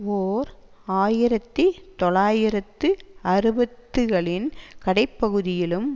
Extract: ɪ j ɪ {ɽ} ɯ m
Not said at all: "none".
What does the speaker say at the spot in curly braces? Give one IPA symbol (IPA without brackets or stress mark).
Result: l